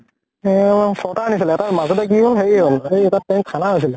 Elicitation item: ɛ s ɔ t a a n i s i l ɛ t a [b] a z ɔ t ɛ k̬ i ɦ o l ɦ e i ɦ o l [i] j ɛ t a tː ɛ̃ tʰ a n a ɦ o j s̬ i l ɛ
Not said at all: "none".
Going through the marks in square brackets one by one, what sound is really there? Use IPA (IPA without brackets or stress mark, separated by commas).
m, e